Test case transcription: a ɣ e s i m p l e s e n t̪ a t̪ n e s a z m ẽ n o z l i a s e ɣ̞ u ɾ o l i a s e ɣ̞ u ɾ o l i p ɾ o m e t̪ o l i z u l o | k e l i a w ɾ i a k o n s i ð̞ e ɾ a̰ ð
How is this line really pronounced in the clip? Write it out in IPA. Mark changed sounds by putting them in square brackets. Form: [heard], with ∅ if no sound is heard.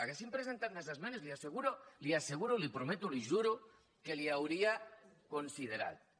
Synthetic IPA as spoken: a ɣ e s i m p [ɾ] e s e n t̪ a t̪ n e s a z m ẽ n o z l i a s e ɣ̞ u ɾ o l i a s e ɣ̞ u ɾ o l i p ɾ o m e t̪ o l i [ʒ] u [ɾ] o | k e l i a w ɾ i a k o n s i ð̞ e ɾ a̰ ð